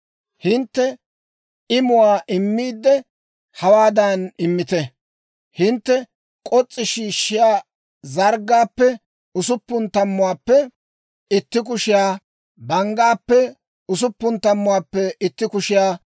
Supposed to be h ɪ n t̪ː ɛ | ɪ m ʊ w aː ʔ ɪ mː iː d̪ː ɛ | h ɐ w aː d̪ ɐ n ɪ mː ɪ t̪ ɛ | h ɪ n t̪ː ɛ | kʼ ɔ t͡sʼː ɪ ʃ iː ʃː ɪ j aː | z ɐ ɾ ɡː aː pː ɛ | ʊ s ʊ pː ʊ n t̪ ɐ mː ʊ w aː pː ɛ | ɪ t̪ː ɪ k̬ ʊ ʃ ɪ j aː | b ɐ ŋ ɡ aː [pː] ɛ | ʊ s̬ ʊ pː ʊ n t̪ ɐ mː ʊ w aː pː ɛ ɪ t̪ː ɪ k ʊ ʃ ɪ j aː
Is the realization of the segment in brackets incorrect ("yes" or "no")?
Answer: no